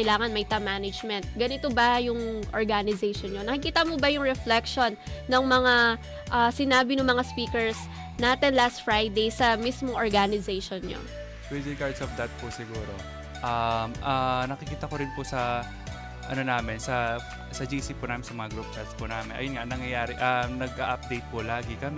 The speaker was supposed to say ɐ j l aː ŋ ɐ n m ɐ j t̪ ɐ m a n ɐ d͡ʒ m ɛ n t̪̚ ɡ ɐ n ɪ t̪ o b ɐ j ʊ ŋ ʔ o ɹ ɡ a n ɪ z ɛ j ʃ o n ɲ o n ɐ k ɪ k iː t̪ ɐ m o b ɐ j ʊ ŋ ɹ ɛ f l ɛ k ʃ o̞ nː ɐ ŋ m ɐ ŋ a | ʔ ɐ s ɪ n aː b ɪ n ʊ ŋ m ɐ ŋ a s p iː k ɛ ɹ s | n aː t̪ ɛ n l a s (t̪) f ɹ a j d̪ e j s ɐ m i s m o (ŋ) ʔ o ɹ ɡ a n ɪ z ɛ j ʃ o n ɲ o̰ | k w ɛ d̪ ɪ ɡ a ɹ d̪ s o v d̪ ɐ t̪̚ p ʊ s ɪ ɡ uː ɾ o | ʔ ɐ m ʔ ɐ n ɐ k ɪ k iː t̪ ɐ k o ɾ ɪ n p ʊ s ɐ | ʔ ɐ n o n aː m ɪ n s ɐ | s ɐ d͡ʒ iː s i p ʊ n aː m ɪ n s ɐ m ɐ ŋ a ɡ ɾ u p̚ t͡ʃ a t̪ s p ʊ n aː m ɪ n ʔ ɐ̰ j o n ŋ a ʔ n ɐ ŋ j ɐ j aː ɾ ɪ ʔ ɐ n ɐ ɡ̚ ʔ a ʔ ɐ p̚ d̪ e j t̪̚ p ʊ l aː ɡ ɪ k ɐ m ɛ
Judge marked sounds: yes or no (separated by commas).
yes, yes